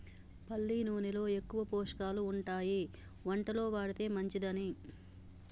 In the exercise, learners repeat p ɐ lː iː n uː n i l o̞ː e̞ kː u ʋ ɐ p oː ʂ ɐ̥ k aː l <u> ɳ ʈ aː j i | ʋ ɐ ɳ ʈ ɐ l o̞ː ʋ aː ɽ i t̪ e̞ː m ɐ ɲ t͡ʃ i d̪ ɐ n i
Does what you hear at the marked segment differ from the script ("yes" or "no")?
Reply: yes